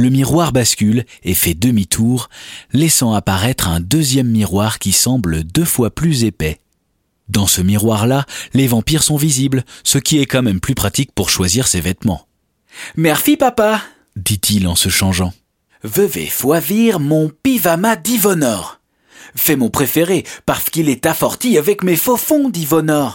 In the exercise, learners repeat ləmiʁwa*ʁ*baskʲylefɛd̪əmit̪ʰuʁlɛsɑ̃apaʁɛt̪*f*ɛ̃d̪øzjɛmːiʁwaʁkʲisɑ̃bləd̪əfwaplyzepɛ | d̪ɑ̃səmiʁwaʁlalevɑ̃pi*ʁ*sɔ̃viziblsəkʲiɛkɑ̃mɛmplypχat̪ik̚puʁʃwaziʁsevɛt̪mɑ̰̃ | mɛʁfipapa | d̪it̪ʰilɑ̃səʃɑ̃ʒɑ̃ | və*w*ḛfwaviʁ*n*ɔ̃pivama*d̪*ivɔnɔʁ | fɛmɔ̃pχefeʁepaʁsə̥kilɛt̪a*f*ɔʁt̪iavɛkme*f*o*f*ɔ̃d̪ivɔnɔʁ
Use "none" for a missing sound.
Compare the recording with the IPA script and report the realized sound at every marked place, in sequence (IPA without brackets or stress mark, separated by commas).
ʁ, χ, ʁ, v, m, d̪, f, f, f